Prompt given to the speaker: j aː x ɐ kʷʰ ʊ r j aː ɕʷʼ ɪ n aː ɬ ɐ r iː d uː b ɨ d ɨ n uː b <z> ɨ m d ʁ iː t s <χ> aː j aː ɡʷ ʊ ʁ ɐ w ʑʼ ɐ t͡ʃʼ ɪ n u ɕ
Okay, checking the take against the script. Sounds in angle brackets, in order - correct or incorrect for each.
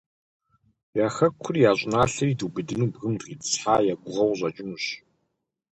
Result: incorrect, incorrect

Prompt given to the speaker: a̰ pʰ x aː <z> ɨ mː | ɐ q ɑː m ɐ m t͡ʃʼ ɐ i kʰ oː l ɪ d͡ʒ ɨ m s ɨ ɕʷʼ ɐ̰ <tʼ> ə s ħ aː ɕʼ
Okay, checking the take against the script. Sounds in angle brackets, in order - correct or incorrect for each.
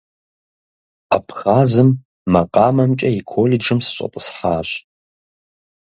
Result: correct, correct

